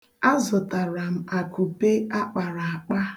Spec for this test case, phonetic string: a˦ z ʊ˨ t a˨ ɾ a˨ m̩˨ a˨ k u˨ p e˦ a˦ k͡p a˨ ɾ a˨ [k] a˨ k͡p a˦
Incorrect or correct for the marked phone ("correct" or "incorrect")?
incorrect